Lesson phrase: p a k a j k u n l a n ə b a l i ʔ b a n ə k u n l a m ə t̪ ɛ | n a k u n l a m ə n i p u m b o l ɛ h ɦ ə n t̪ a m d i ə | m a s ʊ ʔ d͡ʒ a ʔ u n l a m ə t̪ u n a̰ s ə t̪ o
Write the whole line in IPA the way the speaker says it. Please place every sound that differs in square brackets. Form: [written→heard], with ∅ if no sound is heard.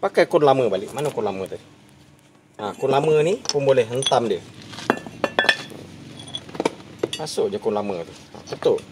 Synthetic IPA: p a k a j k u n l a [n→m] ə b a l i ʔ [b→m] a n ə k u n l a m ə t̪ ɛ | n a k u n l a m ə n i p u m b o l ɛ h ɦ ə n t̪ a m d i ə | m a s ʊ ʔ d͡ʒ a [ʔ→k] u n l a m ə t̪ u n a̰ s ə t̪ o

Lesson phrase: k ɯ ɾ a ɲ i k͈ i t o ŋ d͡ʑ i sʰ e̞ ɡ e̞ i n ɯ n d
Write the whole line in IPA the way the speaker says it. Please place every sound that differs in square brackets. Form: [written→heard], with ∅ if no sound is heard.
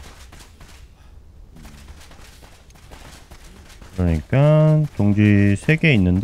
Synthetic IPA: k ɯ ɾ [a→ʌ] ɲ i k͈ [i→a] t o ŋ d͡ʑ i sʰ e̞ ɡ e̞ i [n→nː] ɯ n d

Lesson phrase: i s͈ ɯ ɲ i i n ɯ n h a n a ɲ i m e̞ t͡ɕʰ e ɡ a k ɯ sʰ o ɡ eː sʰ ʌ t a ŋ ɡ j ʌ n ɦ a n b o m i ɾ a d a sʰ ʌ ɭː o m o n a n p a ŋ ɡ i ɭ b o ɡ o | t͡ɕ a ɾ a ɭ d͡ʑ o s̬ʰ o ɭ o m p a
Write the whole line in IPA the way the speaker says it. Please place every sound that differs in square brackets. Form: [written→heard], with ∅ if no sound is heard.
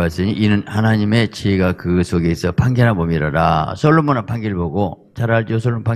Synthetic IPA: [i→a] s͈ ɯ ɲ i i n ɯ n h a n a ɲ i m e̞ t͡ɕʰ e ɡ a k ɯ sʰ o ɡ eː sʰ ʌ [t→p] a ŋ ɡ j ʌ n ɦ a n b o m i ɾ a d a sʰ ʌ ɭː o m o n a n p a ŋ ɡ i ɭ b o ɡ o | t͡ɕ a ɾ a ɭ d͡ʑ o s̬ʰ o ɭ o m p a

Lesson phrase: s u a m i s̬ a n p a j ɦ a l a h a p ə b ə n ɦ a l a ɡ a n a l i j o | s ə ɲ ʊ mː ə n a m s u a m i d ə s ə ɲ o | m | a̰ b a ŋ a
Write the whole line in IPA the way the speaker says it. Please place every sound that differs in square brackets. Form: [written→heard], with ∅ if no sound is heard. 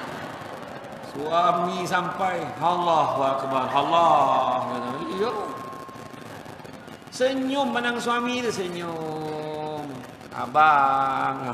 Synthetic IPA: s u a m i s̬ a [n→m] p a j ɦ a l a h a [p→k] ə b [ə→a] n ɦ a l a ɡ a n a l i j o | s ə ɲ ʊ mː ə n a [m→ŋ] s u a m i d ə s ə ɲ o | m | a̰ b a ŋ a

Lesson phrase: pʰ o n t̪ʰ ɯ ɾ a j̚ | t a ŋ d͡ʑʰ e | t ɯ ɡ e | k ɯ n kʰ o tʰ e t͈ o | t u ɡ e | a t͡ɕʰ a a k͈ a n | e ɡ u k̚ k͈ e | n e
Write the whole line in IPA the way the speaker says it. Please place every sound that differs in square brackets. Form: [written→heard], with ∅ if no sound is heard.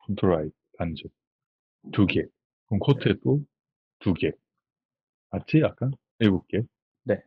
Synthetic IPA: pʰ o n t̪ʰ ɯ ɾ a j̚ | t a [ŋ→n] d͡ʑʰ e | t [ɯ→u] ɡ e | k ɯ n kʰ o tʰ e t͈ o | t u ɡ e | a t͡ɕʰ [a→i] a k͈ a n | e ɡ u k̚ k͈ e | n e

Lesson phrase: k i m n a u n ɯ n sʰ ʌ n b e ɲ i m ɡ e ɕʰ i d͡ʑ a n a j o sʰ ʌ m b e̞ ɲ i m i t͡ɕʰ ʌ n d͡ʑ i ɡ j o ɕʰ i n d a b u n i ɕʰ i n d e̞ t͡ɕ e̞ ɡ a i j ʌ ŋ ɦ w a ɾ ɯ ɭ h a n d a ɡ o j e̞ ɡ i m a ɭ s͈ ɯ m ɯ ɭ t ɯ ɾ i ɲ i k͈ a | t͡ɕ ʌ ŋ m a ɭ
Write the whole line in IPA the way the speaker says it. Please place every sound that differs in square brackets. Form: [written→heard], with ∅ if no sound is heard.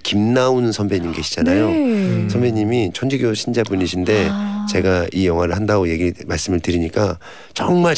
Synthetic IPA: k i m n a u n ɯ n sʰ ʌ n b e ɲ i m ɡ e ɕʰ i d͡ʑ a n a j o sʰ ʌ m b e̞ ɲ i m i t͡ɕʰ ʌ n d͡ʑ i ɡ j o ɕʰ i n [d→d͡ʑ] a b u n i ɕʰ i n d e̞ t͡ɕ e̞ ɡ a i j ʌ ŋ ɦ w a ɾ ɯ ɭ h a n d a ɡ o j e̞ ɡ i m a ɭ s͈ ɯ m ɯ ɭ t ɯ ɾ i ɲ i k͈ a | t͡ɕ ʌ ŋ m a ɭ

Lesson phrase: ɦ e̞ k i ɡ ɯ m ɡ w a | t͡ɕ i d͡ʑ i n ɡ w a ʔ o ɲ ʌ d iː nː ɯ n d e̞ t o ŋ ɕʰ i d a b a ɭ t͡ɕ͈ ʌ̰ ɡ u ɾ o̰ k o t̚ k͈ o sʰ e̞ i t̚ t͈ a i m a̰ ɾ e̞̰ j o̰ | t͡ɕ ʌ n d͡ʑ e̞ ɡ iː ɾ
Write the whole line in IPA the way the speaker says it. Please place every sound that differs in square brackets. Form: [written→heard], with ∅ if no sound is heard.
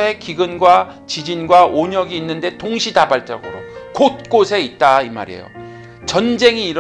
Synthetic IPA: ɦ e̞ k i ɡ ɯ [m→n] ɡ w a | t͡ɕ i d͡ʑ i n ɡ w a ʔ o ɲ ʌ [d→ɡ] iː nː ɯ n d e̞ t o ŋ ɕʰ i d a b a ɭ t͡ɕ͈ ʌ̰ ɡ [u→ɯ] ɾ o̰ k o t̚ k͈ o sʰ e̞ i t̚ t͈ a i m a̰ ɾ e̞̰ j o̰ | t͡ɕ ʌ n d͡ʑ e̞ [ɡ→ŋ] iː ɾ

